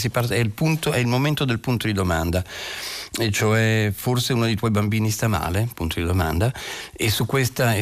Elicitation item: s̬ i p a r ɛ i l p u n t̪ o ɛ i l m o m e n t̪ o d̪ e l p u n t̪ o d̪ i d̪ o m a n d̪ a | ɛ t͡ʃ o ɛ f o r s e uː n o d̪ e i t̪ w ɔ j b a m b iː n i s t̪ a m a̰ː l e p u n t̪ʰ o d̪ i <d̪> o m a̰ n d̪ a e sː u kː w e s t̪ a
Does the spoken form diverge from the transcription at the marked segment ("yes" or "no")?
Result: no